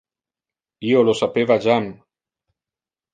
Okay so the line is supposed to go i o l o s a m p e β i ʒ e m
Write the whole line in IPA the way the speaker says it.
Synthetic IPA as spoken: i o l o s a p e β a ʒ a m